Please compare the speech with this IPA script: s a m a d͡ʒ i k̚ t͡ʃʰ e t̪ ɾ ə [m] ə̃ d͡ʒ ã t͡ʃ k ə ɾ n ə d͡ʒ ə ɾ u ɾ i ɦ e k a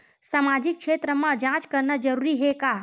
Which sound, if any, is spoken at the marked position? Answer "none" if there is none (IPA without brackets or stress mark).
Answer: m